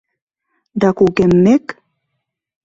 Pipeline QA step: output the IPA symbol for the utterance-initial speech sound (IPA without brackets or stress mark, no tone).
d̪